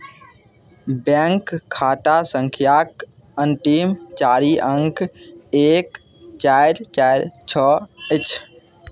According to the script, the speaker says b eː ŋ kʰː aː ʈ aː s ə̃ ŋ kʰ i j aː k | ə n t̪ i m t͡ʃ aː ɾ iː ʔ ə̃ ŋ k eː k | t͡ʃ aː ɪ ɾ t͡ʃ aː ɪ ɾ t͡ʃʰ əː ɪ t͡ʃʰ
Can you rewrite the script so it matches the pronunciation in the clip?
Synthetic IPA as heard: b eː ŋ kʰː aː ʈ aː s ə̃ ŋ kʰ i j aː k | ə n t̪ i m t͡ʃ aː ɾ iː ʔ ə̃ ŋ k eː k | t͡ʃ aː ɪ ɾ t͡ʃ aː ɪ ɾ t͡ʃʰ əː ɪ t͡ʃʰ